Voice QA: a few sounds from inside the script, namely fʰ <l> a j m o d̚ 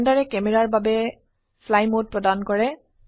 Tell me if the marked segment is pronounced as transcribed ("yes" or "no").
yes